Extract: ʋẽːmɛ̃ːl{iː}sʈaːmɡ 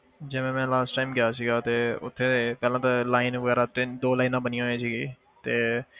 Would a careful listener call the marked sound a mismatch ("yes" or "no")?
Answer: yes